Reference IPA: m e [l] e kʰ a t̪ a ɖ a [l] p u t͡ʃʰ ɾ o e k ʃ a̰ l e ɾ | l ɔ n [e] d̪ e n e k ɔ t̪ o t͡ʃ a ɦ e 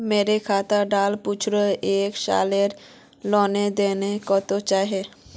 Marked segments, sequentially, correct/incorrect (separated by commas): incorrect, correct, correct